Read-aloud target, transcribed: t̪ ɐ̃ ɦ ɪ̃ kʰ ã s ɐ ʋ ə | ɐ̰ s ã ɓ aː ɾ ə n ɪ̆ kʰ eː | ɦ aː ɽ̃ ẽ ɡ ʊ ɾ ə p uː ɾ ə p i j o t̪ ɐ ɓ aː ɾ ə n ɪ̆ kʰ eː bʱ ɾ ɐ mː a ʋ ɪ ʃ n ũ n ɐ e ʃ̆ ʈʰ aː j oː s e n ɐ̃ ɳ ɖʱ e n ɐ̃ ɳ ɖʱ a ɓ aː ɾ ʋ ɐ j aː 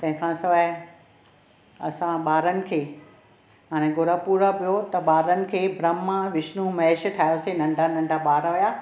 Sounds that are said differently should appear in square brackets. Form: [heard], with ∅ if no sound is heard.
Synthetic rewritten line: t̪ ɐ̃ ɦ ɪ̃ kʰ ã s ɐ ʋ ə | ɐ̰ s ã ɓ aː ɾ ə n ɪ̆ kʰ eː | ɦ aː ɽ̃ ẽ ɡ ʊ ɾ ə p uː ɾ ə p i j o t̪ ɐ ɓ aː ɾ ə n ɪ̆ kʰ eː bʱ ɾ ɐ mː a ʋ ɪ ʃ n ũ [m] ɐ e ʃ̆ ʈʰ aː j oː s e n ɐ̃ ɳ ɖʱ [a] n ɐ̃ ɳ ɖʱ a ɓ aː ɾ ʋ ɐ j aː

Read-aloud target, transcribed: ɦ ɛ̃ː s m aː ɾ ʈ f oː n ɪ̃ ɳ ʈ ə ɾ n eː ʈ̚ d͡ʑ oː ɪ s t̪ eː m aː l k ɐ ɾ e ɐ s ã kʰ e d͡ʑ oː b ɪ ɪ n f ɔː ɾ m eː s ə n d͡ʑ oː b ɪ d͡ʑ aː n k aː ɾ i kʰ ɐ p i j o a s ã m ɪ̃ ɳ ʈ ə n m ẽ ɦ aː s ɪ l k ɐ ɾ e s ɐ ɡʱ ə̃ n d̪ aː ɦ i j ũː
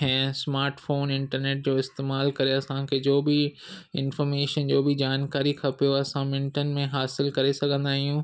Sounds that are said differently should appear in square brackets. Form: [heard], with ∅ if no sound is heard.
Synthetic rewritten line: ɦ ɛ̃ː s m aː ɾ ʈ f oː n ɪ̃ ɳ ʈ ə ɾ n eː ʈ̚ d͡ʑ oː ɪ s t̪ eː m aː l k ɐ ɾ e ɐ s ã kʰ e d͡ʑ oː b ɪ ɪ n f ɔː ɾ m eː [ʃ] ə n d͡ʑ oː b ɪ d͡ʑ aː n k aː ɾ i kʰ ɐ p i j o [ɐ] s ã m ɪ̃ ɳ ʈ ə n m ẽ ɦ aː s ɪ l k ɐ ɾ e s ɐ ɡʱ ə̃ n d̪ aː ɦ i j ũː

